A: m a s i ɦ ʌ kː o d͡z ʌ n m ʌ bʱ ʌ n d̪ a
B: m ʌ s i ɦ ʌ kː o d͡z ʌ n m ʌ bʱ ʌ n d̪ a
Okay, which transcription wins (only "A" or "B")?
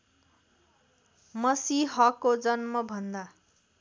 B